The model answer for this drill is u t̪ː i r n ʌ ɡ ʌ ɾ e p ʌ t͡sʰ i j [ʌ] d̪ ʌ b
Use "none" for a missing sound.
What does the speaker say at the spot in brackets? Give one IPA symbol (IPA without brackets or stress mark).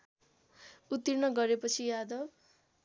a